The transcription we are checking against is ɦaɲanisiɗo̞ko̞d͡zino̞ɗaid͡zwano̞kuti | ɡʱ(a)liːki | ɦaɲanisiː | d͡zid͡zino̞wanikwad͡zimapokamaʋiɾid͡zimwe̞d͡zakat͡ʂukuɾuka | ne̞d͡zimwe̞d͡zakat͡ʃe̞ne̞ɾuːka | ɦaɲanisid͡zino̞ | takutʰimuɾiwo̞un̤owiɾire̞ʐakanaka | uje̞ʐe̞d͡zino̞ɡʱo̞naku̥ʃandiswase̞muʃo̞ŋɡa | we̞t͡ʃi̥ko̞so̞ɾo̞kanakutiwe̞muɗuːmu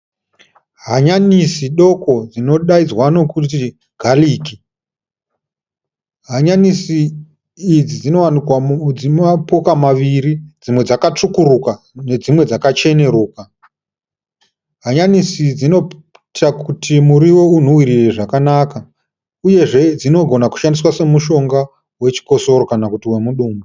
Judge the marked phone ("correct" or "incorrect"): correct